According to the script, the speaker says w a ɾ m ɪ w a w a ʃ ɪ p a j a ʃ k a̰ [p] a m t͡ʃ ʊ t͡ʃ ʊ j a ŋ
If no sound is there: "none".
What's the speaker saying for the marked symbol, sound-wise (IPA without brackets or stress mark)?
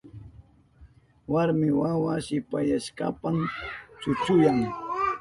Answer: p